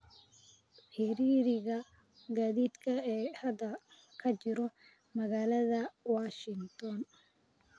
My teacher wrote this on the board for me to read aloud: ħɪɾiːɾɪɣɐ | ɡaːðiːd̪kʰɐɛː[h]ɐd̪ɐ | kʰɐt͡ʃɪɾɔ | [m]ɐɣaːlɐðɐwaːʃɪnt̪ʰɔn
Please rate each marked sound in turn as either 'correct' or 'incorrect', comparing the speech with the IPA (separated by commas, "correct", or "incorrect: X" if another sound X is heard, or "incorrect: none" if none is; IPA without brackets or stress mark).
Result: correct, correct